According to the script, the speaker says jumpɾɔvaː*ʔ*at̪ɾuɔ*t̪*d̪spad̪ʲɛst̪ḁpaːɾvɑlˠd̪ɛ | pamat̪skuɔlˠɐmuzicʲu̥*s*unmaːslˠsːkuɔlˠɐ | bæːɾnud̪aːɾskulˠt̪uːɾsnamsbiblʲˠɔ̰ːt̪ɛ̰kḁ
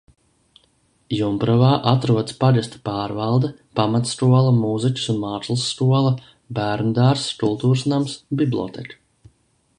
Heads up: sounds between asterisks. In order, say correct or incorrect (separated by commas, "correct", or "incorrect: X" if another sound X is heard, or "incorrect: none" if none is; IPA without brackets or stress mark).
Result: correct, incorrect: none, correct